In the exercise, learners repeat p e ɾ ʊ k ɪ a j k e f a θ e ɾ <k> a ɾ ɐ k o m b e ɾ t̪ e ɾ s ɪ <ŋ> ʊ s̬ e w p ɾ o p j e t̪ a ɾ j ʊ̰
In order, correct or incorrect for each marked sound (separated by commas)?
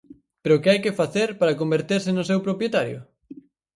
incorrect, incorrect